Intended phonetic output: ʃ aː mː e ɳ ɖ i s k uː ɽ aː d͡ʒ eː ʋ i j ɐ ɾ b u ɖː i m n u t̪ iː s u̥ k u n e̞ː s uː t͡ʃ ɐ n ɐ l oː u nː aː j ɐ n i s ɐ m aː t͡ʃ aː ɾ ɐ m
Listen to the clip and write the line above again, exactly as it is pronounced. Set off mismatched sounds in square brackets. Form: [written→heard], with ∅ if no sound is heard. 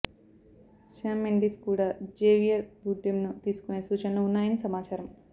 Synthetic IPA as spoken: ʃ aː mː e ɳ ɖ i s k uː ɽ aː d͡ʒ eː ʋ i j ɐ ɾ b u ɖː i m n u t̪ iː s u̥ k u n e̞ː s uː t͡ʃ ɐ n ɐ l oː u nː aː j ɐ n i s ɐ m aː t͡ʃ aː ɾ ɐ m